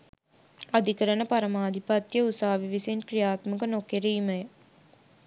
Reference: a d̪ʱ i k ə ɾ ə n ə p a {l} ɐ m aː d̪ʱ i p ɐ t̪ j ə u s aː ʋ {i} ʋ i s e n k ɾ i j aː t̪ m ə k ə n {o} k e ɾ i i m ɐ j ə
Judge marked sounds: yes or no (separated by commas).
no, yes, yes